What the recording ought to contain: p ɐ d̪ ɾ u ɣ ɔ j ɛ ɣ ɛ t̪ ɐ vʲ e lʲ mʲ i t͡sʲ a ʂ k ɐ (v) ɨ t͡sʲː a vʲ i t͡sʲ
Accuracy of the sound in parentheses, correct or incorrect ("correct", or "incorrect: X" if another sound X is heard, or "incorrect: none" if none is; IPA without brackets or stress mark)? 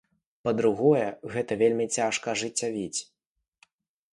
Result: incorrect: ʐ